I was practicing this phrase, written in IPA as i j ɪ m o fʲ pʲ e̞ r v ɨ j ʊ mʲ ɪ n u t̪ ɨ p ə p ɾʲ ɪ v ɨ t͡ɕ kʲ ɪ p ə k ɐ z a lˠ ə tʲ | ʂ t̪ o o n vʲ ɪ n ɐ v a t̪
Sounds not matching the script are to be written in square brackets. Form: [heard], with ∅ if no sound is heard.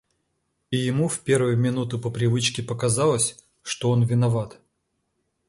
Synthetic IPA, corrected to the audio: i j ɪ m [u] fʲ pʲ e̞ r v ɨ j ʊ mʲ ɪ n u t̪ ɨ p ə p ɾʲ ɪ v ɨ t͡ɕ kʲ ɪ p ə k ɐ z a lˠ ə [sʲ] | ʂ t̪ o o n vʲ ɪ n ɐ v a t̪